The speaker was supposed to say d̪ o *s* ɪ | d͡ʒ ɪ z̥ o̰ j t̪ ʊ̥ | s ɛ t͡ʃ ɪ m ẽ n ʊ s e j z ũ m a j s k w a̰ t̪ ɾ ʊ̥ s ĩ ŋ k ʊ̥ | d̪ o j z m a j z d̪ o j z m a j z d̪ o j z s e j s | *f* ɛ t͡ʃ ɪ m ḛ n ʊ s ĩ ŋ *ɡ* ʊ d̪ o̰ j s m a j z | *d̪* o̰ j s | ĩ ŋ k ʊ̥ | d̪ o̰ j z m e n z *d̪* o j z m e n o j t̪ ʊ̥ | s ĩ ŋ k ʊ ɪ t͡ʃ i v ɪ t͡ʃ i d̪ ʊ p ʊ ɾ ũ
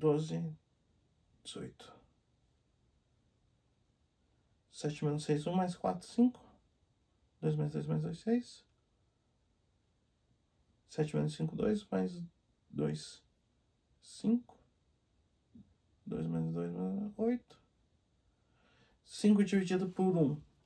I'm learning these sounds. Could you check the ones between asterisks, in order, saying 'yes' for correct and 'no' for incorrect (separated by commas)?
no, no, no, yes, yes